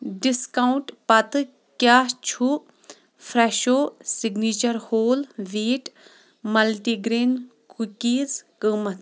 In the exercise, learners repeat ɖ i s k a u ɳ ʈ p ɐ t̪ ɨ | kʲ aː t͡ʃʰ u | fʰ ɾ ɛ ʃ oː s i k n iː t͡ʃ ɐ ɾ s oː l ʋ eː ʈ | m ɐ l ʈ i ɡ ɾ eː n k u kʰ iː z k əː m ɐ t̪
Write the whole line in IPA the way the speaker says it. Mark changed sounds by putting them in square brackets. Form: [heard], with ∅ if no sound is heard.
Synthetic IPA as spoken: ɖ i s k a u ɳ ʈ p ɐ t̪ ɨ | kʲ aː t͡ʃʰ u | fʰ ɾ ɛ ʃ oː s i [ɡ] n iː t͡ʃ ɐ ɾ [h] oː l ʋ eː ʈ | m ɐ l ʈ i ɡ ɾ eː n k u [k] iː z k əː m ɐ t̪